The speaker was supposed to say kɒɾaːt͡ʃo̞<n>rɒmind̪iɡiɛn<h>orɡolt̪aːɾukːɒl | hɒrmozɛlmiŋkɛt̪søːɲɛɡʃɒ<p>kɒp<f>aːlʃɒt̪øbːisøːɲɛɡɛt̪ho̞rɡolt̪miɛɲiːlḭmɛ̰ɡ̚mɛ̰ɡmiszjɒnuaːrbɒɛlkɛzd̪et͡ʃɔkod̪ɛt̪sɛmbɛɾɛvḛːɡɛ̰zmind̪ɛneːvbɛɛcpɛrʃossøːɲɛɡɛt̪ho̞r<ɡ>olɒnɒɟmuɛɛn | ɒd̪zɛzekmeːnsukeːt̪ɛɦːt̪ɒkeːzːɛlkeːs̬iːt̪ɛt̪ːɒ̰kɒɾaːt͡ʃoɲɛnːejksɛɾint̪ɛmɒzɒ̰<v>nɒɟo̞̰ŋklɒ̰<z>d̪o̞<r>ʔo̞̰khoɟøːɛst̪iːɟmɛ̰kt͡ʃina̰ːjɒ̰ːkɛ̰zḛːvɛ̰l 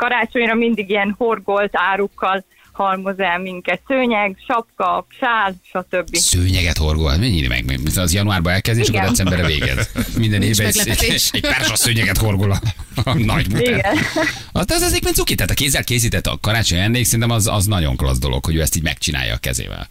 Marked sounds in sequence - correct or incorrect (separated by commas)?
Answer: incorrect, correct, correct, incorrect, correct, incorrect, correct, incorrect